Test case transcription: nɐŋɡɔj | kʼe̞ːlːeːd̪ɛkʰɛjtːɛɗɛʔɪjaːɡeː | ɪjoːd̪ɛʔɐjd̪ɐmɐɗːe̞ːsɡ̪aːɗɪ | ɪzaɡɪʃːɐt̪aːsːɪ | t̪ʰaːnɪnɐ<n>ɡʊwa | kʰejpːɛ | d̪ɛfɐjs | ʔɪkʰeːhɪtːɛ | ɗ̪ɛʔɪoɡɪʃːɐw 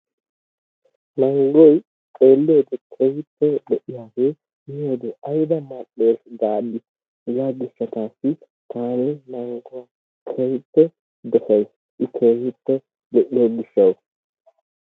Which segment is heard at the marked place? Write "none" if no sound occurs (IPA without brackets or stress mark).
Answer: ŋ